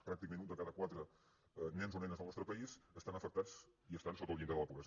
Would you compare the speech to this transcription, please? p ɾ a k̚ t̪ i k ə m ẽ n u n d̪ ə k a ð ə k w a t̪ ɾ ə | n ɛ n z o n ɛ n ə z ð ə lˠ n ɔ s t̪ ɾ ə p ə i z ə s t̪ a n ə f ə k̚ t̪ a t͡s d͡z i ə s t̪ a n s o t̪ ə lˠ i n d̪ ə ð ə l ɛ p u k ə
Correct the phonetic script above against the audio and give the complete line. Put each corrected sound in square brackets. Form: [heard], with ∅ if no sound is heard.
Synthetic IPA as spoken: p ɾ a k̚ t̪ i k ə m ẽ n u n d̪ ə k a ð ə k w a t̪ ɾ ə | n ɛ n z o n ɛ n ə z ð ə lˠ n ɔ s t̪ ɾ ə p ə i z ə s t̪ a n ə f ə k̚ t̪ a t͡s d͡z i ə s t̪ a n s o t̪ ə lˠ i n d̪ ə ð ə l ɛ p u k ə